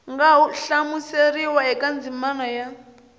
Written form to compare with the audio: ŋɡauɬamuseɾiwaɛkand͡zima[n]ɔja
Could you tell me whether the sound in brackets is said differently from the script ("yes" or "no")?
no